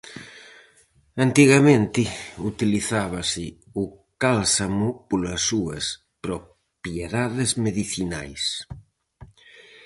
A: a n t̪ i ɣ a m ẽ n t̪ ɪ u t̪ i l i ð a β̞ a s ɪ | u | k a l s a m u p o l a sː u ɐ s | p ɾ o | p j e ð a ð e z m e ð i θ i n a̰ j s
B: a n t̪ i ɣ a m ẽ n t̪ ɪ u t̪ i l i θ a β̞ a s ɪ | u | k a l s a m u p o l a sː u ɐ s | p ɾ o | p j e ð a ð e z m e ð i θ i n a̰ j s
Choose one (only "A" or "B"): B